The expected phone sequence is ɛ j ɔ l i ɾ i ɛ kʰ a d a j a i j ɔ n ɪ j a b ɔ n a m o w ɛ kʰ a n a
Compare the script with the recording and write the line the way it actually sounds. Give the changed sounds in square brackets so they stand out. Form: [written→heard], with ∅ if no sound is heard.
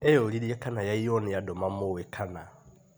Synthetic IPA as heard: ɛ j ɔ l i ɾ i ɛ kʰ a [d→n] a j a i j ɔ n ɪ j a [b→d] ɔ [n→m] a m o w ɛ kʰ a n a

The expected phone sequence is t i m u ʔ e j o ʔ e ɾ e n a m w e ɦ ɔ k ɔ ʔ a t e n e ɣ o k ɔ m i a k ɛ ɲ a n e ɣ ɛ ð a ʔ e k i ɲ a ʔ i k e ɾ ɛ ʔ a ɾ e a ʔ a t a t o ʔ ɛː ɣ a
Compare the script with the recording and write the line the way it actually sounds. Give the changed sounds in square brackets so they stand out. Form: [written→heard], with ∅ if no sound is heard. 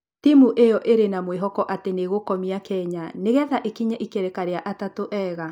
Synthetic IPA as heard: t i m u ʔ e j [o→ɔ] ʔ e ɾ e n a m w e ɦ ɔ k ɔ ʔ a t e n e ɣ o k ɔ m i a k ɛ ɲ a n e ɣ ɛ ð a ʔ e k i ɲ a ʔ i k e ɾ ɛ [ʔ→k] a ɾ e a ʔ a t a t o ʔ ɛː ɣ a

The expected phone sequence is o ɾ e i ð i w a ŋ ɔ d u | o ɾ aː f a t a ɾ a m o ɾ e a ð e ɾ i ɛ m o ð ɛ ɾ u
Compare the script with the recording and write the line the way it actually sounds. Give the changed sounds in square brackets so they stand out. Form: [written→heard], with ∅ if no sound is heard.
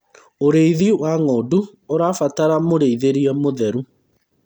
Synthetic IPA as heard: o ɾ e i ð i w a ŋ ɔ d u | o ɾ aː f a t a ɾ a m o ɾ e [a→i] ð e ɾ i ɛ m o ð ɛ ɾ u

